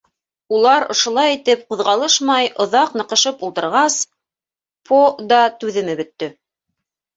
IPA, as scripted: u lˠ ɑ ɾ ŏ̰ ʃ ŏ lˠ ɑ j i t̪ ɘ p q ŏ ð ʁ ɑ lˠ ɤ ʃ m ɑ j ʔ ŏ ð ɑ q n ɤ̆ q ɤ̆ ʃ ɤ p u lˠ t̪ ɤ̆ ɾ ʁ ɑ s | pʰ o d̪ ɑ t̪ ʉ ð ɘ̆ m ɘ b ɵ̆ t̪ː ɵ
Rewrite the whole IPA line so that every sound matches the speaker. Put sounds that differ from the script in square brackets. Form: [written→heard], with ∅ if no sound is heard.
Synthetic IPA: u lˠ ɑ ɾ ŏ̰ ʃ ŏ lˠ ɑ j i t̪ ɘ p q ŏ ð ʁ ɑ lˠ ɤ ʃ m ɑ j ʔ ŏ ð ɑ q n ɤ̆ q ɤ̆ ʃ ɤ p u lˠ t̪ ɤ̆ ɾ ʁ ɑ s | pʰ o d̪ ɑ t̪ ʉ ð ɘ̆ m ɘ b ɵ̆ t̪ː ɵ